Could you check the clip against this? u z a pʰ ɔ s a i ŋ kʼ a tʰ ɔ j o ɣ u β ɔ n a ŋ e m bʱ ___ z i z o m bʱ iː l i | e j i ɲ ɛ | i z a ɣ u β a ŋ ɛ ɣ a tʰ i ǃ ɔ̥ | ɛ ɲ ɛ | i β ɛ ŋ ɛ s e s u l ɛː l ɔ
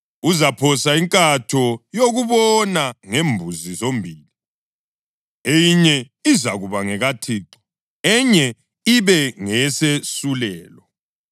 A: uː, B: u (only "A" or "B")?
B